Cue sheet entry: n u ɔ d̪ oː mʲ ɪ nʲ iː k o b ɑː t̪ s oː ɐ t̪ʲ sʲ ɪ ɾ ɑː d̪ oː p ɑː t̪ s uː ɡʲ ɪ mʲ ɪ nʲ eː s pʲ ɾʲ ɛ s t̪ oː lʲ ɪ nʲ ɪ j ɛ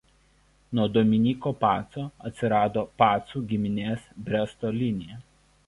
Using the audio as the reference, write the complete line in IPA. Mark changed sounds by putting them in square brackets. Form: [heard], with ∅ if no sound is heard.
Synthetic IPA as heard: n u ɔ d̪ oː mʲ ɪ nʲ iː k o [p] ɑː t̪ s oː ɐ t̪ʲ sʲ ɪ ɾ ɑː d̪ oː p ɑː t̪ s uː ɡʲ ɪ mʲ ɪ nʲ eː s [bʲ] ɾʲ ɛ s t̪ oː lʲ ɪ nʲ ɪ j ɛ